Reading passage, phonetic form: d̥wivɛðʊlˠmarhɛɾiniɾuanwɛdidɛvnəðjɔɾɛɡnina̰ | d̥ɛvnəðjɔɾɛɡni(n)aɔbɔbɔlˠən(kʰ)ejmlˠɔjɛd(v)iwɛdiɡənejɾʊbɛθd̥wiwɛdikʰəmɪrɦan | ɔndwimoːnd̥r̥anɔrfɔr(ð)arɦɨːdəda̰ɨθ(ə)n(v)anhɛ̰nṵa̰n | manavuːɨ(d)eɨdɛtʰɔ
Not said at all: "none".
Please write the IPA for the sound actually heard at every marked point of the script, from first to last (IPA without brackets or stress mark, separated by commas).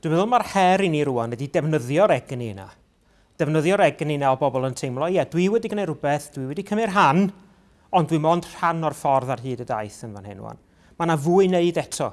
n, tʰ, w, ð, ə, v, n